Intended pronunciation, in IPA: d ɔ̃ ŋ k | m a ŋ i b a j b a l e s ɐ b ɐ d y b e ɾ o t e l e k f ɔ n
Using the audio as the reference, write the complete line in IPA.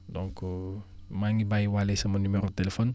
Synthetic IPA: d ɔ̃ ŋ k | m a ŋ i b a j w a l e s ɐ m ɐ n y m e ɾ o t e l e f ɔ n